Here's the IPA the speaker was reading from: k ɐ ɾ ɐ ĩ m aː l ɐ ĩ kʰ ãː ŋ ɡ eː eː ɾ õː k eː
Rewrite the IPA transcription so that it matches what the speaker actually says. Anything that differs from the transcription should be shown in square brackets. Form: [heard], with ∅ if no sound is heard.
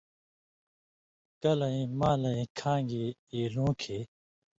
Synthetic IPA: k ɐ [l] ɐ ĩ m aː l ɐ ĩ kʰ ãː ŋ ɡ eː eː [l] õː [kʰ] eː